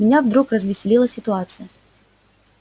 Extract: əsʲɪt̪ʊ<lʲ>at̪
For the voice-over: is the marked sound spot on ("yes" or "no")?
no